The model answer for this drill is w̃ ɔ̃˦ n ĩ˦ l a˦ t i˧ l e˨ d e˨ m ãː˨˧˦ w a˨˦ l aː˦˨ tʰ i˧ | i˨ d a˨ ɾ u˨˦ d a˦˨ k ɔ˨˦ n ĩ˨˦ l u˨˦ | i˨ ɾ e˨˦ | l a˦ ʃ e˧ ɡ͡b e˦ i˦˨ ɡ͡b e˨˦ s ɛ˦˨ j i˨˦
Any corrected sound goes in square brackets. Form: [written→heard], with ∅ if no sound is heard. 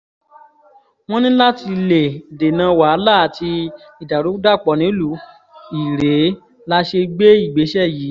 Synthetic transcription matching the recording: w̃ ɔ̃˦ n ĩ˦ l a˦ t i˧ l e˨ d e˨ [m→n] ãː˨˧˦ w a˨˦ l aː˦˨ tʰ i˧ | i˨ d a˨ ɾ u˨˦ d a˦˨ [k→k͡p] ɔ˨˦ n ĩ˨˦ l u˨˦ | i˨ ɾ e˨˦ | l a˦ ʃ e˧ ɡ͡b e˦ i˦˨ ɡ͡b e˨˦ [s→ʃ] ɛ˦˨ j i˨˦